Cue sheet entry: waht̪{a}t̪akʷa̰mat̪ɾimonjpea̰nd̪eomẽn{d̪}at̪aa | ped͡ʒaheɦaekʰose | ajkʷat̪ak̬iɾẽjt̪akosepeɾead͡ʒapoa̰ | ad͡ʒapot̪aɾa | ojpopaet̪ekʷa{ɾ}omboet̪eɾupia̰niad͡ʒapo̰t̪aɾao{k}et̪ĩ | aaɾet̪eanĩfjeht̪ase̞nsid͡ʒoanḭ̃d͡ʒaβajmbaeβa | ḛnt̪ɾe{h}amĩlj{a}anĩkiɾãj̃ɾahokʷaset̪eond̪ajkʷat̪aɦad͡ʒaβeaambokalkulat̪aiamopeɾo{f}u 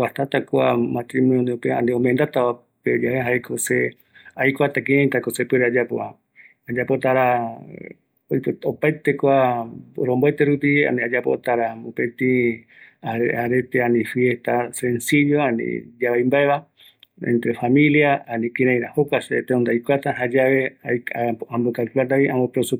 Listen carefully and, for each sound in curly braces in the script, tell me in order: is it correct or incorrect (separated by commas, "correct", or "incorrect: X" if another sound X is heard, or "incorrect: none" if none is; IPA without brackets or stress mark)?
correct, correct, correct, incorrect: p, incorrect: f, correct, incorrect: s